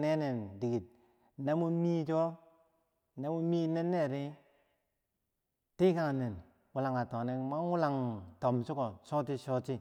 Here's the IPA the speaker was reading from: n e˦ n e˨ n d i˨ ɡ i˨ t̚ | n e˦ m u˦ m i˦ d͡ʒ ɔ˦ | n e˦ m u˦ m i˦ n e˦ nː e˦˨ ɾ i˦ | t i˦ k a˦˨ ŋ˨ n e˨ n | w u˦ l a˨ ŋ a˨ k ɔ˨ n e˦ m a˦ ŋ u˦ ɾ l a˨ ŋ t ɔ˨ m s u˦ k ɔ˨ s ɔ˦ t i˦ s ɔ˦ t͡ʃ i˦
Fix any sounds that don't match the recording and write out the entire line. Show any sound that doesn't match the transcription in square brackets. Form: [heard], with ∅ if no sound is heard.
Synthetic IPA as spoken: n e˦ n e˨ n d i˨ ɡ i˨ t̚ | n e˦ m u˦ m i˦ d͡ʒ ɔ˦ | n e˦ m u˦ m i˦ n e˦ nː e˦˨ ɾ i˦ | t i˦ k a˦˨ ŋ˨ n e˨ n | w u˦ l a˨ ŋ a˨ [t] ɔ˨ n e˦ m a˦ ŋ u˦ [∅] l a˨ ŋ t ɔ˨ m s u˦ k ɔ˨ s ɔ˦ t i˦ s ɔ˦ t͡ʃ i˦